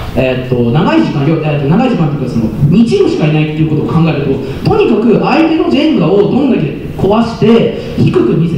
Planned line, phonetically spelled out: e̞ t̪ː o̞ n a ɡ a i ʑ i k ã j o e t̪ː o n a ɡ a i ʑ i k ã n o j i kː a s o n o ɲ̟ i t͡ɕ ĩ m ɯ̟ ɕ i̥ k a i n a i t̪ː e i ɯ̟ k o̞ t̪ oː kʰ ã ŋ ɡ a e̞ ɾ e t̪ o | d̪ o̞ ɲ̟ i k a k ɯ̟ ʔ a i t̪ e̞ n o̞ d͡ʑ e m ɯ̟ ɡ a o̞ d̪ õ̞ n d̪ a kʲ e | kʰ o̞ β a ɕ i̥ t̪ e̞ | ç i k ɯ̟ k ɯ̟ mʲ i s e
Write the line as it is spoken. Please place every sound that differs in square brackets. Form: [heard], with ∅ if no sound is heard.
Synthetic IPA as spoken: e̞ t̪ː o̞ n a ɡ a i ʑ i k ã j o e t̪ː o n a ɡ a i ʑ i k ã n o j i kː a s o n o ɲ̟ i t͡ɕ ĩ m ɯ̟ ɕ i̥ k a i n a i t̪ː e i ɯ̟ k o̞ t̪ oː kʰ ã ŋ ɡ a e̞ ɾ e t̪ o | [t̪] o̞ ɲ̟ i k a k ɯ̟ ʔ a i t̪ e̞ n o̞ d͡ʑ e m ɯ̟ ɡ a o̞ d̪ õ̞ n d̪ a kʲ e | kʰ o̞ β a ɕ i̥ t̪ e̞ | ç i k ɯ̟ k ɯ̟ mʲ i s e